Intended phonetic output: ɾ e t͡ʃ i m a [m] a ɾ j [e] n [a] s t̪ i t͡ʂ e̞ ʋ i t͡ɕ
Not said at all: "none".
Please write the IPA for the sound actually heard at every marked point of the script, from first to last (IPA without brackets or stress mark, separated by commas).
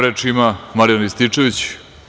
m, a, i